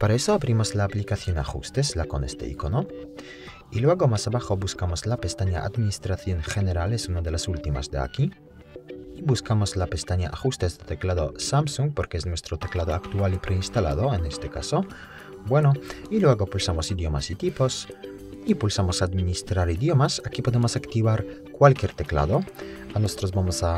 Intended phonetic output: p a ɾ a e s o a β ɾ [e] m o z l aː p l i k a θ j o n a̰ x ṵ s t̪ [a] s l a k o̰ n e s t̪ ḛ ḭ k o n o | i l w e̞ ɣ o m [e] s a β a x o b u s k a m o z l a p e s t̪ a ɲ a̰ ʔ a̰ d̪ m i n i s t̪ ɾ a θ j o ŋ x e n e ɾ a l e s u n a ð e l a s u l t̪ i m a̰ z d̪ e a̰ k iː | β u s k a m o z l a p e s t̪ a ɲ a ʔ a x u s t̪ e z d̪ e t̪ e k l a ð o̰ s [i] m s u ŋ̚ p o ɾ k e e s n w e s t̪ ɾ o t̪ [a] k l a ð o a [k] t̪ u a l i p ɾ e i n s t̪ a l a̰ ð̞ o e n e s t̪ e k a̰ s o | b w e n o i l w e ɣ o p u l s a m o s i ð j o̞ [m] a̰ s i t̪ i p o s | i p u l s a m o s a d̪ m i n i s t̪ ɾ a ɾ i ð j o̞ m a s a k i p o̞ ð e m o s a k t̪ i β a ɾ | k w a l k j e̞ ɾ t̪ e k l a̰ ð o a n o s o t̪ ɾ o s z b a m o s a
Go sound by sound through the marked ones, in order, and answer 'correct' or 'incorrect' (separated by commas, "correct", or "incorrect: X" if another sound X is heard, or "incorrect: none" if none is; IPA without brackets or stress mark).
incorrect: i, incorrect: e, incorrect: a, incorrect: a, incorrect: e, correct, correct